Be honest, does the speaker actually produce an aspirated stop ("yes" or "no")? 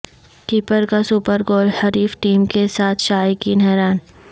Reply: yes